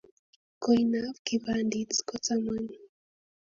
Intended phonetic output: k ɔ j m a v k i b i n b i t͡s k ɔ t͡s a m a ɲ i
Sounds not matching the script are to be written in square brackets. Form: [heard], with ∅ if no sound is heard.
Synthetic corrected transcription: k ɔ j [n] a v k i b [a] n [d] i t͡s k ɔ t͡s a m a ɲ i

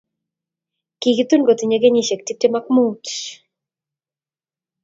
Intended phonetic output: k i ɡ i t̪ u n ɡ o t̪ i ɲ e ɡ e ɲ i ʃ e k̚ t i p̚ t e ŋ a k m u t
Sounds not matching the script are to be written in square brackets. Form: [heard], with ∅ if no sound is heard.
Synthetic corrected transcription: k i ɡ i t̪ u n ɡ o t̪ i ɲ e ɡ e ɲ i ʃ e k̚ t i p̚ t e [m] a k m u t

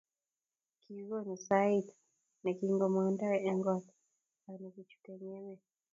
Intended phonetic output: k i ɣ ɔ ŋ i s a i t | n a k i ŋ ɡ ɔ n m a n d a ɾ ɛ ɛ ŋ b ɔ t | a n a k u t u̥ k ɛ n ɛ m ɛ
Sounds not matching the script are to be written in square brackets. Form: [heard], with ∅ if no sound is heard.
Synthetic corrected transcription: k i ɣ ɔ [n] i s a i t | n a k i ŋ ɡ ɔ [∅] m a n d a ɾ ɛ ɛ ŋ [ɡ] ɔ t | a n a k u [t͡ʃ] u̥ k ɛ [ɲ] ɛ m ɛ

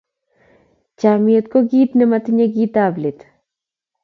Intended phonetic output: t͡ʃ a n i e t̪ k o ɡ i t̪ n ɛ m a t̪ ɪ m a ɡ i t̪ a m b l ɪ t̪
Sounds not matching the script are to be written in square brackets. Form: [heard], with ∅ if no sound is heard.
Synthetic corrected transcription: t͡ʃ a [m] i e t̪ k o ɡ i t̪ n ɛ m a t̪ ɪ [ɲ] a ɡ i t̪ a [∅] b l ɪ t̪

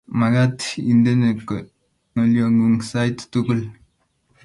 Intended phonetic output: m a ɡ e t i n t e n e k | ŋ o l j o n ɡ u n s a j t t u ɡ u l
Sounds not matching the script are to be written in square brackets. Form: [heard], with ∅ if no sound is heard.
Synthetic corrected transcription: m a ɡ [a] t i n [d] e n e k | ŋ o l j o [ŋ] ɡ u [ŋ] s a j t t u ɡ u l

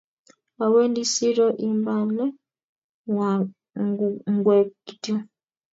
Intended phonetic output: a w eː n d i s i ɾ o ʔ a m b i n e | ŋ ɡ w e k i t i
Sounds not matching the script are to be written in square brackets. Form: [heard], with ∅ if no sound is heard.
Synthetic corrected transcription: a w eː n d i s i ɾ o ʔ [i] m b [a] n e | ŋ ɡ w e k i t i

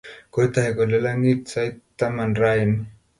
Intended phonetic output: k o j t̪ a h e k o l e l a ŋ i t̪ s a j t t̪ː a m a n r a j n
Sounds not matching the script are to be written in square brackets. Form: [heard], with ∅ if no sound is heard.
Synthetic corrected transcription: k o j t̪ a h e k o l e l a ŋ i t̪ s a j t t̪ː a m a n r a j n

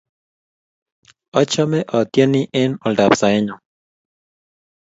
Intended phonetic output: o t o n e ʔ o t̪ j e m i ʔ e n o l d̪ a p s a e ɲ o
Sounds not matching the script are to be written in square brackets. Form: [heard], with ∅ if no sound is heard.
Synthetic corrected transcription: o [t͡ʃ] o [m] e ʔ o t̪ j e [n] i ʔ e n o l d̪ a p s a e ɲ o

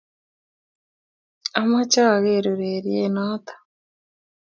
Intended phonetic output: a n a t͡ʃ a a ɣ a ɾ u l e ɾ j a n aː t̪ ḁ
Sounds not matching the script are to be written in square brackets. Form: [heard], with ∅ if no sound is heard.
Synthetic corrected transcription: a [m] a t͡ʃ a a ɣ [e] ɾ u [ɾ] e ɾ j [e] n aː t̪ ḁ

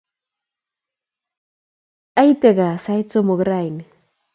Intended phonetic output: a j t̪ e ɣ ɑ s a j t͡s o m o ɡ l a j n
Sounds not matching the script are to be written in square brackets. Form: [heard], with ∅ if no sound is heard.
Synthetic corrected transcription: a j t̪ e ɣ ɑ s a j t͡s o m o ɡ [ɾ] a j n

